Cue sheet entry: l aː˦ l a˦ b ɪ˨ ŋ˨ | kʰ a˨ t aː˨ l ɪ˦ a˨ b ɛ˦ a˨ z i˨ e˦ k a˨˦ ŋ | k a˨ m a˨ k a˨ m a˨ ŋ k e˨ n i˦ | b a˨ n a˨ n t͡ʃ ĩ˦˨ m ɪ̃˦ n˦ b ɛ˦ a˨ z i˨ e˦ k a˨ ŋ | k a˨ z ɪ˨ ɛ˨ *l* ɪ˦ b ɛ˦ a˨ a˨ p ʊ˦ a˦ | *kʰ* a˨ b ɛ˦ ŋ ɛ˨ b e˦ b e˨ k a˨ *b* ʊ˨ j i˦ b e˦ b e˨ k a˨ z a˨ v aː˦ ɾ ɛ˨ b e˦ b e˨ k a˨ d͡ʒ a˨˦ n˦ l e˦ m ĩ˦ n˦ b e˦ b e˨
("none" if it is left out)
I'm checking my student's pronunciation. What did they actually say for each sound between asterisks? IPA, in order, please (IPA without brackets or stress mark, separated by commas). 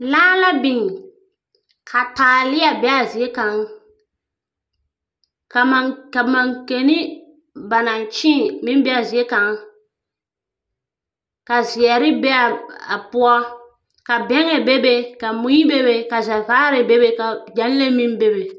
ɾ, k, m